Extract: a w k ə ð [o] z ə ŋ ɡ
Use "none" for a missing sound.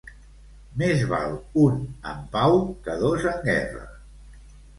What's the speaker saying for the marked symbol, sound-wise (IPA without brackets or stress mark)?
o